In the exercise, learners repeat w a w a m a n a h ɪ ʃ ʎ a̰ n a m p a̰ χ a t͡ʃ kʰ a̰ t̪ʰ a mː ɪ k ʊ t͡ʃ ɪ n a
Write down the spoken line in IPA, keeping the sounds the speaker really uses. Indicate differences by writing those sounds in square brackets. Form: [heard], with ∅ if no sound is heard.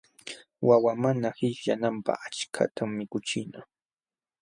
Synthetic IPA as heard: w a w a m a n a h ɪ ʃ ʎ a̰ n a m p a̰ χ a t͡ʃ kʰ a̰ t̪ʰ a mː ɪ k ʊ t͡ʃ ɪ n a